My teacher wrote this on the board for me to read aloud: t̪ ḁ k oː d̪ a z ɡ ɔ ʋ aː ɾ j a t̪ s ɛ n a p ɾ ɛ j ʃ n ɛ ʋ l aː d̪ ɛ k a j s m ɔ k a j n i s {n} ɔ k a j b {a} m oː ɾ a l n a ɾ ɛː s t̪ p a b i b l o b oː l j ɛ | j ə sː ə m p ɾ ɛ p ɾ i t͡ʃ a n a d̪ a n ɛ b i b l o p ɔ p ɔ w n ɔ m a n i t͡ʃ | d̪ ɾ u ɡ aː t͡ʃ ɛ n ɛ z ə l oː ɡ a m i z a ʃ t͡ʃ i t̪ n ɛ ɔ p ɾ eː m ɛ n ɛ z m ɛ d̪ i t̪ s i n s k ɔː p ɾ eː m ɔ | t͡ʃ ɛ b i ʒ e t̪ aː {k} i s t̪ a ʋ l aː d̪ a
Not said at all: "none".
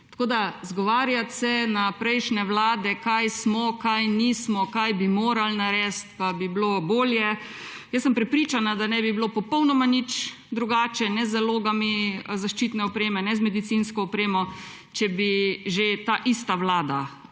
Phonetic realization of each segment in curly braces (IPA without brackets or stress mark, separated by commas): m, i, ʔ